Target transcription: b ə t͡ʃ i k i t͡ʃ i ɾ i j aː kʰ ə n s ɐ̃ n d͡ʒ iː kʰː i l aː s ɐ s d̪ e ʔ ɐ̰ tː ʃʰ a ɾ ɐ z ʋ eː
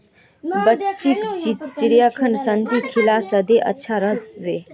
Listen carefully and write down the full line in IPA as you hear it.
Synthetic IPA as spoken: b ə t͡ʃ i k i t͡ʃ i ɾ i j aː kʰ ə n s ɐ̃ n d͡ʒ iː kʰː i l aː s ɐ d̪ e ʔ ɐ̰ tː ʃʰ a ɾ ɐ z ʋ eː